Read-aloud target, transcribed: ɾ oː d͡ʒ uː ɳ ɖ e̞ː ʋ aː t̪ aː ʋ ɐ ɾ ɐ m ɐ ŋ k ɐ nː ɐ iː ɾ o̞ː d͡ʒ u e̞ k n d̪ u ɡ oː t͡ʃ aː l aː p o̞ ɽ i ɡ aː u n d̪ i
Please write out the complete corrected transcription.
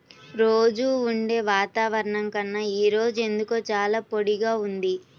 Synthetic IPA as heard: ɾ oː d͡ʒ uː ɳ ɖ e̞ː ʋ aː t̪ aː ʋ ɐ ɾ ɐ ɳ ɐ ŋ k ɐ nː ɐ iː ɾ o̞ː d͡ʒ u e̞ n d̪ u k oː t͡ʃ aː l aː p o̞ ɽ i ɡ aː u n d̪ i